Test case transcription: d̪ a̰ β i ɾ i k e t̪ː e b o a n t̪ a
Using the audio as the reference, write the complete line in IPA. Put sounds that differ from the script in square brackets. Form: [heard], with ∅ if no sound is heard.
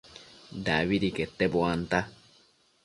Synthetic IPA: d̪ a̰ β i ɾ i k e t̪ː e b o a n t̪ a